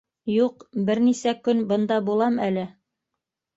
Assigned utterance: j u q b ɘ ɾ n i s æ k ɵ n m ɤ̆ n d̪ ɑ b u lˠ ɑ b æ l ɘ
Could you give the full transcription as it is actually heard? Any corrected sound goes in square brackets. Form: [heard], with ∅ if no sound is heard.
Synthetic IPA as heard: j u q b ɘ ɾ n i s æ k ɵ n [b] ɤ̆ n d̪ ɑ b u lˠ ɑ [m] æ l ɘ